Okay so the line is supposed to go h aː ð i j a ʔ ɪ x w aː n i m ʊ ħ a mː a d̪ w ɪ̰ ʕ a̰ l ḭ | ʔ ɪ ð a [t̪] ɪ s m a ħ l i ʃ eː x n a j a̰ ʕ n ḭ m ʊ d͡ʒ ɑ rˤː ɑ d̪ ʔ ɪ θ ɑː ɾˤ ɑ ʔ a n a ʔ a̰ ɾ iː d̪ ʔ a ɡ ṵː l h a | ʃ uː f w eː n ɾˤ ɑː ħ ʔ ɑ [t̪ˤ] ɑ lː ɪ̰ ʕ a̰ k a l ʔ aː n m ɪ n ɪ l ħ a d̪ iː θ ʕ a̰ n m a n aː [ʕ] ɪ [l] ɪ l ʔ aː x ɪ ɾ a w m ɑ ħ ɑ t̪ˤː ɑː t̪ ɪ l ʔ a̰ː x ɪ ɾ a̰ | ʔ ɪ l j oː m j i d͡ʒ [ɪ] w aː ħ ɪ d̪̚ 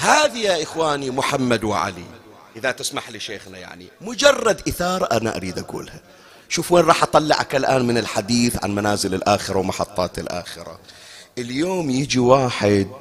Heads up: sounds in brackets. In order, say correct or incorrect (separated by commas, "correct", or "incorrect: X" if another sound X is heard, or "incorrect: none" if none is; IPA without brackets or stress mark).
correct, correct, incorrect: z, correct, incorrect: i